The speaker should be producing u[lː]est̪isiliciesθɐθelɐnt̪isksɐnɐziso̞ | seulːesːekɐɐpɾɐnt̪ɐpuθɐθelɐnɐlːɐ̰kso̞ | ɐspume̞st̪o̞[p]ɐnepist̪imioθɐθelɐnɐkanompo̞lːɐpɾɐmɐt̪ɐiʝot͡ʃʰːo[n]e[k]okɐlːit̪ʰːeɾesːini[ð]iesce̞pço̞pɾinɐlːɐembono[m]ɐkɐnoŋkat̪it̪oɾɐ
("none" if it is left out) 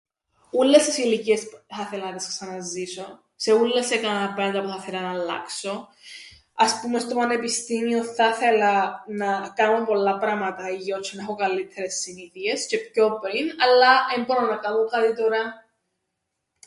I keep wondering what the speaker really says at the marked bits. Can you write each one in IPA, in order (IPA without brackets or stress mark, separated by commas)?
lː, p, n, x, θ, n